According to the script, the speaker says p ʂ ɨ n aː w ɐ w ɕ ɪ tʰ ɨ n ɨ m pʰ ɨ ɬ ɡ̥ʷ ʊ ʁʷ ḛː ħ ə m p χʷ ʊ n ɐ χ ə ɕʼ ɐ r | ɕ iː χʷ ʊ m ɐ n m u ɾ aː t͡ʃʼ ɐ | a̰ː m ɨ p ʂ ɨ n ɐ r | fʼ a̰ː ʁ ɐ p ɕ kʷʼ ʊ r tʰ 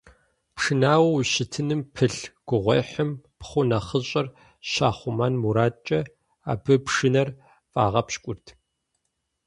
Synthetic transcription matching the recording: p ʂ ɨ n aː w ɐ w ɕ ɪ tʰ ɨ n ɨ m pʰ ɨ ɬ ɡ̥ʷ ʊ ʁʷ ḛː ħ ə m p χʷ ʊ n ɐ χ ə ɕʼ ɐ r | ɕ aː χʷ ʊ m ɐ n m u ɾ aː t͡ʃʼ ɐ | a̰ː b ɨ p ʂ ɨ n ɐ r | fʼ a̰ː ʁ ɐ p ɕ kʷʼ ʊ r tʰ